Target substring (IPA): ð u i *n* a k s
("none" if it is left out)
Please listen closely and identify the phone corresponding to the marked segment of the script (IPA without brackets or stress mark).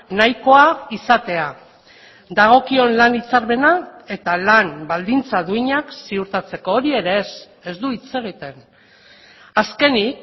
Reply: ɲ